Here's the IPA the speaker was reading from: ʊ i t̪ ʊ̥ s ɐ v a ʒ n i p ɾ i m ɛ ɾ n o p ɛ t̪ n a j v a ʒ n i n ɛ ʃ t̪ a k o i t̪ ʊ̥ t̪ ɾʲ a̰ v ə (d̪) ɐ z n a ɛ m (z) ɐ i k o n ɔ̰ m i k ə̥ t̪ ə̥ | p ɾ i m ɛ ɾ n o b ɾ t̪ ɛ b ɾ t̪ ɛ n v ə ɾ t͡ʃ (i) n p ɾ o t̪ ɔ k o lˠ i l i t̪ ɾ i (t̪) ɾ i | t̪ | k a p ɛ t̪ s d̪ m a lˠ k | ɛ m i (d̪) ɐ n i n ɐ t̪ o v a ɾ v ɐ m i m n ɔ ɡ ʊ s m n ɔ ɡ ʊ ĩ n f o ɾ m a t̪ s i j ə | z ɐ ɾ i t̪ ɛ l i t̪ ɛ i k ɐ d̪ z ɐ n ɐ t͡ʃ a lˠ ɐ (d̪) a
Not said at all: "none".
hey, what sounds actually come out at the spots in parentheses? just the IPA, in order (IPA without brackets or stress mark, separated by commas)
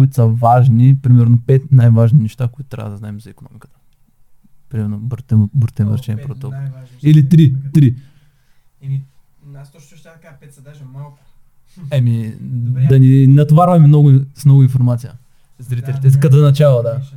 d̪, z, ɛ, t̪, d̪, d̪